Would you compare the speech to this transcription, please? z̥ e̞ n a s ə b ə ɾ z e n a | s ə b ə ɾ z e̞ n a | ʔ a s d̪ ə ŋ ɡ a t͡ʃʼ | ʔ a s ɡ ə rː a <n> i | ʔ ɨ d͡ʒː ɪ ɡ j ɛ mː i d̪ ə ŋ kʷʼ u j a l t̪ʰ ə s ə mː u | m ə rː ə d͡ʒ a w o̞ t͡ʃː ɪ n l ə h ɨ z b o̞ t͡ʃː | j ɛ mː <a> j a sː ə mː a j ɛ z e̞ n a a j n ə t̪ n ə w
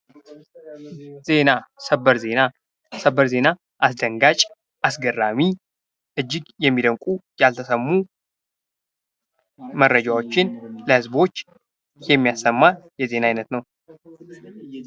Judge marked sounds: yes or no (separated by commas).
no, no